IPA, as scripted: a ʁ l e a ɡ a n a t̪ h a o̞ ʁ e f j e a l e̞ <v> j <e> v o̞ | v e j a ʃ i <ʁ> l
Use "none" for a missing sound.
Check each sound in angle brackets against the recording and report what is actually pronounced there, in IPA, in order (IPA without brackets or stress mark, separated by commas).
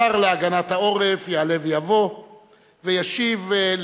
v, a, v